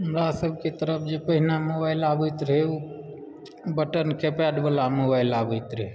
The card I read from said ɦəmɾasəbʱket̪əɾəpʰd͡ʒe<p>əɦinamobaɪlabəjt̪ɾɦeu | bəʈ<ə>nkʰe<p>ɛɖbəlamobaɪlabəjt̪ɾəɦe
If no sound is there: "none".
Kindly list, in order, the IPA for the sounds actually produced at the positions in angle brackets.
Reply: p, ə, p

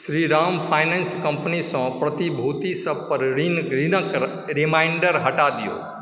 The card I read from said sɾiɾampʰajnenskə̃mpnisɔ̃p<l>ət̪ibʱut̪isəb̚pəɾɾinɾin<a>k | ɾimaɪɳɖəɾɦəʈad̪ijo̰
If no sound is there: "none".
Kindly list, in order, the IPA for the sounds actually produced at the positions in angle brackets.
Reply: ɾ, ə

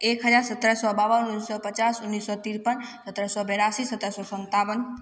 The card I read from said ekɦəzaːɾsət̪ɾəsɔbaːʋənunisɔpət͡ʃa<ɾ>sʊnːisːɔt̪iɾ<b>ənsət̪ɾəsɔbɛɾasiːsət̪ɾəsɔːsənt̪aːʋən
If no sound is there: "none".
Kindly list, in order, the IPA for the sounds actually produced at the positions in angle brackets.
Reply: none, p

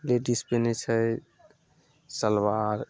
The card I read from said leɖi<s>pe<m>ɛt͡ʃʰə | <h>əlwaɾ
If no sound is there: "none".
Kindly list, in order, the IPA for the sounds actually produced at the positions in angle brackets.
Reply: s, n, s

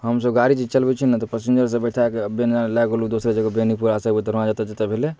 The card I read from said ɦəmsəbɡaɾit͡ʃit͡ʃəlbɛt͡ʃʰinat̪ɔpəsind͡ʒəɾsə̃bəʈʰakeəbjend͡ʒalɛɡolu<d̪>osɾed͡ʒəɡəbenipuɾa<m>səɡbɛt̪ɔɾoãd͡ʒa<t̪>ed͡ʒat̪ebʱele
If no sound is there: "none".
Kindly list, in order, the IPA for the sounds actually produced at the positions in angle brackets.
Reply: d̪, none, t̪

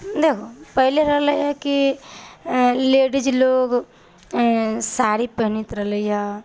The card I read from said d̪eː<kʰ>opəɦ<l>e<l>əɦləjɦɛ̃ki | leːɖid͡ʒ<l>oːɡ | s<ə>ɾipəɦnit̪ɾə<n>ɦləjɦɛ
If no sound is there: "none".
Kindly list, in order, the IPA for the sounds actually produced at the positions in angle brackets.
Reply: kʰ, l, ɾ, l, a, none

